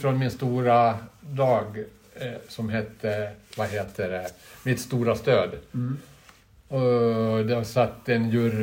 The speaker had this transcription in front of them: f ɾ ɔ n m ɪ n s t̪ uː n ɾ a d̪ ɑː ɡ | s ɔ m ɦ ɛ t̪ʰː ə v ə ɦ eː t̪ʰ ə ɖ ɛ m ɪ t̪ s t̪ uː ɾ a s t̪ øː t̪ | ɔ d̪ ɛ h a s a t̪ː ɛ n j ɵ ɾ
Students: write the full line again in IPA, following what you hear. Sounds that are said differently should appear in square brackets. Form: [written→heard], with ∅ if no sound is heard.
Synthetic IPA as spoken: f ɾ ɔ n m ɪ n s t̪ uː [n→∅] ɾ a d̪ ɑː ɡ | s ɔ m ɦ ɛ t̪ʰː ə v [ə→a] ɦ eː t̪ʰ ə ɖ ɛ m ɪ t̪ s t̪ uː ɾ a s t̪ øː [t̪→d̪] | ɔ d̪ ɛ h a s a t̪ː ɛ n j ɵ ɾ